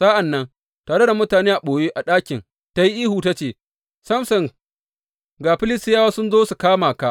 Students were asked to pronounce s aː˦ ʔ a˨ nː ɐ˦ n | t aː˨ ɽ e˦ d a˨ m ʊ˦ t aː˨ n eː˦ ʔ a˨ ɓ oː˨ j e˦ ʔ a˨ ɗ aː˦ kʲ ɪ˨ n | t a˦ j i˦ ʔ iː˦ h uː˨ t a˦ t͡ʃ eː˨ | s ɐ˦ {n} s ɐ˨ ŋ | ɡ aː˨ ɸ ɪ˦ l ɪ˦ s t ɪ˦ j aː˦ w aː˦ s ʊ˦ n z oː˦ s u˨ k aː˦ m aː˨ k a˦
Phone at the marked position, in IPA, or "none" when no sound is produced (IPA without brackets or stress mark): m